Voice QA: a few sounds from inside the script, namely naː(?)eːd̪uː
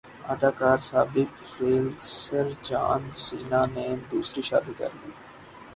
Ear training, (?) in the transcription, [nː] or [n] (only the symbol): n